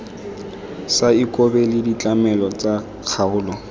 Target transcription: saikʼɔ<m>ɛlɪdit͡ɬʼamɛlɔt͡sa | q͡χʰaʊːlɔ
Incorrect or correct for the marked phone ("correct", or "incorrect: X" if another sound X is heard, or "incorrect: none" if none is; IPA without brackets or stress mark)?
incorrect: b